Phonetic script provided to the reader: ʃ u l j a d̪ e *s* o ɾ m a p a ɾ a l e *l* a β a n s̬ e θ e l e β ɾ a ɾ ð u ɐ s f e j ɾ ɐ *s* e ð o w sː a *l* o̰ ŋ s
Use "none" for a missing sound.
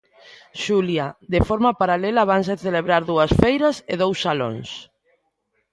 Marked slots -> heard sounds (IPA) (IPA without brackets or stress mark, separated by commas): f, l, s, l